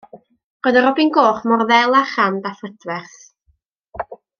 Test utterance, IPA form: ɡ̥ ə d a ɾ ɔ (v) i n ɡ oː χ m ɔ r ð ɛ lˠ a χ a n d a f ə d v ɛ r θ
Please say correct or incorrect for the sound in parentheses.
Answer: incorrect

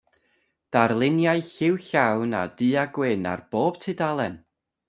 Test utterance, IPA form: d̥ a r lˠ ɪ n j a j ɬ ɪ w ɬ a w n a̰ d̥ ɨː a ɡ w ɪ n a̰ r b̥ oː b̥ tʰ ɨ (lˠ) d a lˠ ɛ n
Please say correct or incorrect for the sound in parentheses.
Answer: incorrect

